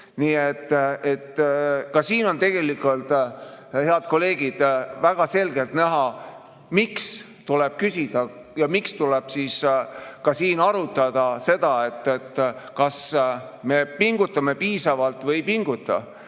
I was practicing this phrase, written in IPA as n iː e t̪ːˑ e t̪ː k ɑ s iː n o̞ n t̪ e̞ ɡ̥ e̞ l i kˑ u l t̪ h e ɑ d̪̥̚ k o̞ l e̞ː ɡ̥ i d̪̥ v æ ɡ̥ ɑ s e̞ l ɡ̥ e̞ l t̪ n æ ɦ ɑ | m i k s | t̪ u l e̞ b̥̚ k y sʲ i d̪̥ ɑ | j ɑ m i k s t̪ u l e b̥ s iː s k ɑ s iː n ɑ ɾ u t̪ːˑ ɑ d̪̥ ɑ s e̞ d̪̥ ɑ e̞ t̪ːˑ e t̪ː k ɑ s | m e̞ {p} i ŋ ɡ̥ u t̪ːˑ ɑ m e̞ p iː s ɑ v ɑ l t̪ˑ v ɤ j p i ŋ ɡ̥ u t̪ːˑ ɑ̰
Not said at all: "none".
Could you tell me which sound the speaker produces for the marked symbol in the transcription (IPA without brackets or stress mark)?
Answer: p